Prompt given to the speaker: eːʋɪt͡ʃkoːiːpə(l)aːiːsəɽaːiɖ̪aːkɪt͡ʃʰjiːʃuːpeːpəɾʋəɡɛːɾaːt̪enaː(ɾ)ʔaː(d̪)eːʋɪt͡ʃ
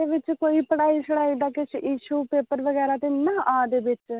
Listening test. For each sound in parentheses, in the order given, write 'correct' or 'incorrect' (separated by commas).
incorrect, incorrect, correct